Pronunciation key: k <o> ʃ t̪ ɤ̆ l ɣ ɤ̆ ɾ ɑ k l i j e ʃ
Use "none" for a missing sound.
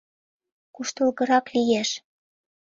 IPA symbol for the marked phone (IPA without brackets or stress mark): u